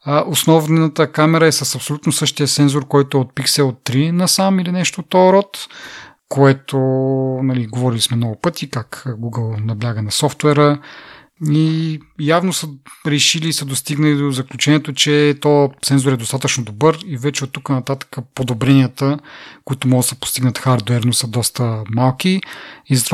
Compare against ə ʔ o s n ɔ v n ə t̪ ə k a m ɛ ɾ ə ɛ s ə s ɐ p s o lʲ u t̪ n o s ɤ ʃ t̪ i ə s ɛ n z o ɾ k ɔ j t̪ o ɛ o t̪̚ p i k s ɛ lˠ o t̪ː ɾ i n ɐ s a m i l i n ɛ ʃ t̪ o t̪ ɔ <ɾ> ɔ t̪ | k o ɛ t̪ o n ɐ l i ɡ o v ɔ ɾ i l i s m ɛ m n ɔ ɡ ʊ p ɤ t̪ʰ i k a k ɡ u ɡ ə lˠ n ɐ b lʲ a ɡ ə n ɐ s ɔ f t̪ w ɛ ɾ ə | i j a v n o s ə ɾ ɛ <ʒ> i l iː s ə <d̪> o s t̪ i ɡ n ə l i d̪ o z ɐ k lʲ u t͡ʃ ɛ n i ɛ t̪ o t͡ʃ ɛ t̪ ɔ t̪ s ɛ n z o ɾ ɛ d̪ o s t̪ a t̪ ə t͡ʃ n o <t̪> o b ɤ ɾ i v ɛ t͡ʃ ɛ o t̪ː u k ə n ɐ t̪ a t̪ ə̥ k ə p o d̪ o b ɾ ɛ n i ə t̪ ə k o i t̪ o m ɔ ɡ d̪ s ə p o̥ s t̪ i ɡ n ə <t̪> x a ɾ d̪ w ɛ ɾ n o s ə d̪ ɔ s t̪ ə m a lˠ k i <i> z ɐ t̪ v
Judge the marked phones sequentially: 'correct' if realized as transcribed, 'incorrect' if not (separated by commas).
correct, incorrect, correct, incorrect, correct, correct